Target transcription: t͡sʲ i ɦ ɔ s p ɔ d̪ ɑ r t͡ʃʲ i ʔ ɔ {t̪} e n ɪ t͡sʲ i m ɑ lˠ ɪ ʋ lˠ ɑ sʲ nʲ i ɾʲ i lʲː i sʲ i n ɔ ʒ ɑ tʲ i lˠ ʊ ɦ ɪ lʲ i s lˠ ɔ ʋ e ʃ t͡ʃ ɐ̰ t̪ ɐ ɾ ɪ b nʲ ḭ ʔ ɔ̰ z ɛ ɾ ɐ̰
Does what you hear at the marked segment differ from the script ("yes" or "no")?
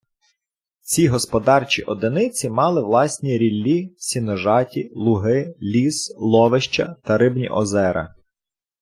yes